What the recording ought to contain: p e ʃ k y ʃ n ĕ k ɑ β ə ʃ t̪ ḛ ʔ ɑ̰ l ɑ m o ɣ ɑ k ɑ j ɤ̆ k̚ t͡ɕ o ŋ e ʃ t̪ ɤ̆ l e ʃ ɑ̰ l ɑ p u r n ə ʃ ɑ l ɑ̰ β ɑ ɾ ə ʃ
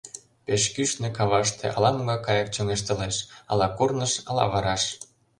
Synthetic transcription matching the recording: p e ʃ k y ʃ n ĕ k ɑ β ɑ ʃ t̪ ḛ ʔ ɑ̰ l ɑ m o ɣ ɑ k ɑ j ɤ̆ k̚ t͡ɕ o ŋ e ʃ t̪ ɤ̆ l e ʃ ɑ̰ l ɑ k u r n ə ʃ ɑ l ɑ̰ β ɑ ɾ ɑ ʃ